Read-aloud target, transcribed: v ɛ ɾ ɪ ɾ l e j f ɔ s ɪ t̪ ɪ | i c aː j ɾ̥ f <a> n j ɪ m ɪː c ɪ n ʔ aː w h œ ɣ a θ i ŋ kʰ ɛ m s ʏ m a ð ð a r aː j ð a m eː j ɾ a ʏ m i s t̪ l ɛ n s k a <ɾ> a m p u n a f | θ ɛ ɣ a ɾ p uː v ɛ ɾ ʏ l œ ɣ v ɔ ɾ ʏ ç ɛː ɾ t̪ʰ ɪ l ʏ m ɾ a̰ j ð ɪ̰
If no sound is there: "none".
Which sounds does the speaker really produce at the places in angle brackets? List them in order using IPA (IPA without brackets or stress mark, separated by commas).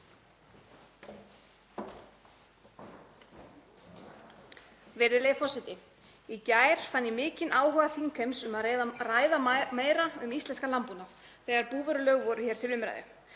a, l